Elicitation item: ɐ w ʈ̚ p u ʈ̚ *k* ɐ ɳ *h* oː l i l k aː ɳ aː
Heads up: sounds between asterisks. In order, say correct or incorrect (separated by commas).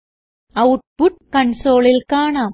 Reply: correct, incorrect